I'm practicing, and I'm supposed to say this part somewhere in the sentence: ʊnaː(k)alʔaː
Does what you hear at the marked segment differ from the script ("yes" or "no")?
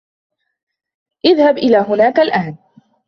no